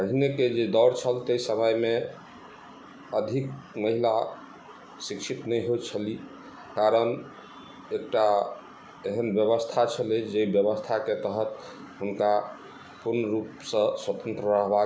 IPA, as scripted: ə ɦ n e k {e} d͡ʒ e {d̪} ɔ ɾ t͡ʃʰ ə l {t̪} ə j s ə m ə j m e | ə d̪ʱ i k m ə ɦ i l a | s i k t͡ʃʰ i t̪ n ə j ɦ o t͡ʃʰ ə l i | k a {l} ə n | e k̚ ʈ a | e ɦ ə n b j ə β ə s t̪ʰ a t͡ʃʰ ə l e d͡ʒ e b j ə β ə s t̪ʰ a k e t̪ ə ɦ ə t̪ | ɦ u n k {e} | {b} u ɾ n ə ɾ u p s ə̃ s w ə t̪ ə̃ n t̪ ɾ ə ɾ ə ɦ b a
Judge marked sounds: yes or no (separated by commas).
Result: yes, yes, yes, no, no, no